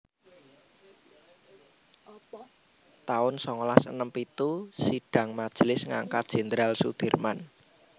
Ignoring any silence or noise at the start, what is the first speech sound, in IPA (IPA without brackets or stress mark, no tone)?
t̪